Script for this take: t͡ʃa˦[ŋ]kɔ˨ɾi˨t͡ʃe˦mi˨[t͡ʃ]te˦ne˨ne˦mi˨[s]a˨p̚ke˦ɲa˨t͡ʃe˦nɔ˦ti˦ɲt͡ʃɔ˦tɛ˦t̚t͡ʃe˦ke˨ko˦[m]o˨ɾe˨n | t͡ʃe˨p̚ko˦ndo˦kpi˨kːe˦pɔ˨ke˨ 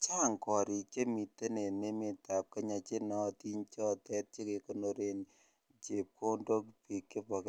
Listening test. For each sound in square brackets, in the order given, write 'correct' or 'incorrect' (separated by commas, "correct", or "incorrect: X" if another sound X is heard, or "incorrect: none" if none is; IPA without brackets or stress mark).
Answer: correct, incorrect: none, incorrect: t, incorrect: n